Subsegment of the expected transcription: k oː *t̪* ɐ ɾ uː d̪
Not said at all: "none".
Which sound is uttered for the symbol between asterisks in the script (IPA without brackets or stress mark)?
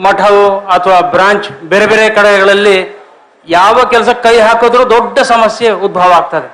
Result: d̪